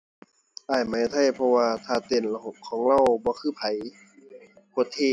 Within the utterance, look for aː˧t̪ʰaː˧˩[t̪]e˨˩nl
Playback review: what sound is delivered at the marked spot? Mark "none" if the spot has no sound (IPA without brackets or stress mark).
t̪